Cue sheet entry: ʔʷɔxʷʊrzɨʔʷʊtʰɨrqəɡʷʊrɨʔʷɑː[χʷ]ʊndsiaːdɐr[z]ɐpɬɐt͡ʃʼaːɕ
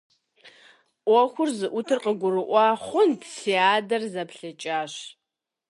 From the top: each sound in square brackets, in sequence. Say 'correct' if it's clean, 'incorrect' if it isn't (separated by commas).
correct, correct